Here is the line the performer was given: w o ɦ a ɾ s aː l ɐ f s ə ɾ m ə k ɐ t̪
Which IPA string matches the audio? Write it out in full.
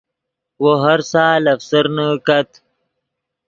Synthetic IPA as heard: w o ɦ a ɾ s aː l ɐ f s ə ɾ n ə k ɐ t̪